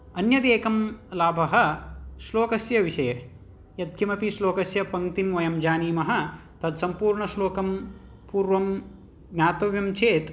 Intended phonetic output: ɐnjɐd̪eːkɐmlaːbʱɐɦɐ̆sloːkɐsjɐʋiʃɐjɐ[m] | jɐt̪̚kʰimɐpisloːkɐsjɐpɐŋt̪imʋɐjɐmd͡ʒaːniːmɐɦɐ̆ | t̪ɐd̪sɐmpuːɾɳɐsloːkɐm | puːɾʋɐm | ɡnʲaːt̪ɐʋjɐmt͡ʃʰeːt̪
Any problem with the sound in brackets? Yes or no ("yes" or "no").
yes